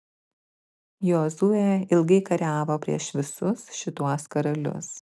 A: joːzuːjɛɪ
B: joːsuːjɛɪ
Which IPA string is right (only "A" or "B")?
A